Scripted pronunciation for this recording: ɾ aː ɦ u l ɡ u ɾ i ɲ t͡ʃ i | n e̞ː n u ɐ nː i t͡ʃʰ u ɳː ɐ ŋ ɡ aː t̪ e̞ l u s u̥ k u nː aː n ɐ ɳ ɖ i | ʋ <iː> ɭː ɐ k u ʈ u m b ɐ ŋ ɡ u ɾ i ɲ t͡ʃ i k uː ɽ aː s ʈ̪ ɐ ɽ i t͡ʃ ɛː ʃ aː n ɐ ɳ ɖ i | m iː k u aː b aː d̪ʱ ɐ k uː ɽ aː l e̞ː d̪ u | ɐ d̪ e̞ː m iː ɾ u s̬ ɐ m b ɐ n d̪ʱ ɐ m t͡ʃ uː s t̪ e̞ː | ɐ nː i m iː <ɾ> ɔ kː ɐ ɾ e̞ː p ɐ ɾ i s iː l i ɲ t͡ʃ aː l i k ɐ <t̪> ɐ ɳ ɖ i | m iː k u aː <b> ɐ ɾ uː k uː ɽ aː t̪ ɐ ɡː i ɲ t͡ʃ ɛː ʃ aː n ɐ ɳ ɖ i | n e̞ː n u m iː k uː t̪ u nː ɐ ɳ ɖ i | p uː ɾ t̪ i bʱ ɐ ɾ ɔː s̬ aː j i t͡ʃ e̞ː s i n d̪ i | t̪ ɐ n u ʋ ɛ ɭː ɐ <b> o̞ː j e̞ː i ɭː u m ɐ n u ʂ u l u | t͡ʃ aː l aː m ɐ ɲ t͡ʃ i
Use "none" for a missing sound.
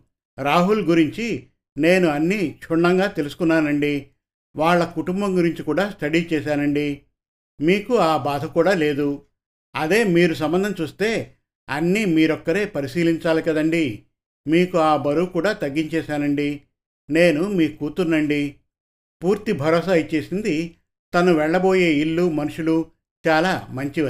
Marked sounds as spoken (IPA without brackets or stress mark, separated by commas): aː, ɾ, d̪, b, b